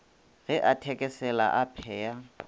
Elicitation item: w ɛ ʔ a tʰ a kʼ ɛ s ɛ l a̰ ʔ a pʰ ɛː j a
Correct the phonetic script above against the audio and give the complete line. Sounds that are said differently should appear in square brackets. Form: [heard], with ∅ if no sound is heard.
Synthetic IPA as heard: [ɣ] ɛ ʔ a tʰ [ɛ] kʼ ɛ s ɛ l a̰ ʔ a pʰ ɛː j a